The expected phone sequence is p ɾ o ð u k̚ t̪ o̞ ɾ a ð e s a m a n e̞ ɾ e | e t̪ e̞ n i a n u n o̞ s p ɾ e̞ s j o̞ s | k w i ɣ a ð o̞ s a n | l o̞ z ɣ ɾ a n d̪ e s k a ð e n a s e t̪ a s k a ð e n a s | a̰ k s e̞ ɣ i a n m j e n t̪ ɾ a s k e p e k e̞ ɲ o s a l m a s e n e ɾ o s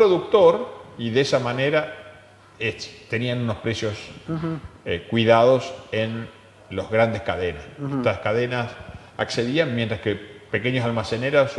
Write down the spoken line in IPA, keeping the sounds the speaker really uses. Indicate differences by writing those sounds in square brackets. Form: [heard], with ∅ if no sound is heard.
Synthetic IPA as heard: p ɾ o ð u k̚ t̪ o̞ ɾ [i] ð e s a m a n e̞ ɾ [a] | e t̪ e̞ n i a n u n o̞ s p ɾ e̞ s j o̞ s | k w i [ð] a ð o̞ s [e] n | l o̞ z ɣ ɾ a n d̪ e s k a ð e n a s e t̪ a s k a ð e n a s | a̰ k s e̞ [ð] i a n m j e n t̪ ɾ a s k e p e k e̞ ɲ o s a l m a s e n e ɾ o s